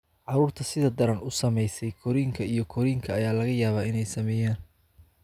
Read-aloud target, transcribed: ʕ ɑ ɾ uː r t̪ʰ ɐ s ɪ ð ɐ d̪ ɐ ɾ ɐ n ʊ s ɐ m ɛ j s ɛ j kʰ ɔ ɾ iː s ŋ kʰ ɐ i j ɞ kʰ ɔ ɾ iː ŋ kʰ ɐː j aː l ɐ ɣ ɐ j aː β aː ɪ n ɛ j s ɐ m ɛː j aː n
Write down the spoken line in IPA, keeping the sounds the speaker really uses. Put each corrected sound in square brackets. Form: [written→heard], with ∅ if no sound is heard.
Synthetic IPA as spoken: ʕ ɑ ɾ uː r t̪ʰ ɐ s ɪ ð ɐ d̪ ɐ ɾ ɐ n ʊ s ɐ m ɛ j s ɛ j kʰ ɔ ɾ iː [s→∅] ŋ kʰ ɐ i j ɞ kʰ ɔ ɾ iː ŋ kʰ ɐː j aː l ɐ ɣ ɐ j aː β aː ɪ n ɛ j s ɐ m ɛː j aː n